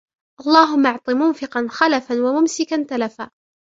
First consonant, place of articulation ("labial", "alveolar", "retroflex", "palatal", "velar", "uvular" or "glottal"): glottal